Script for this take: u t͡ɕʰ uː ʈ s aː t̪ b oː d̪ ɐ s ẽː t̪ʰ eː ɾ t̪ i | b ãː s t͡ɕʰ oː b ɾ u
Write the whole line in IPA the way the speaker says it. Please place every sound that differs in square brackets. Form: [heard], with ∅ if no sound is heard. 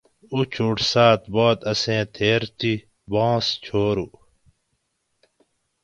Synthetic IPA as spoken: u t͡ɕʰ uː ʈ s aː t̪ b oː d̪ ɐ s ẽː t̪ʰ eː ɾ t̪ i | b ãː s t͡ɕʰ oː [∅] ɾ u